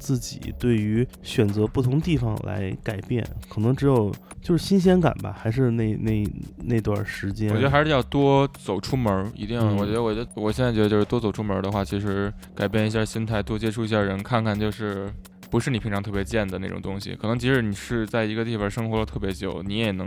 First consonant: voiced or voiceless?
voiceless